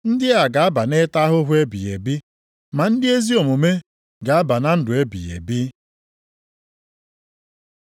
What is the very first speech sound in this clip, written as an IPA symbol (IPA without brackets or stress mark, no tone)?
n̩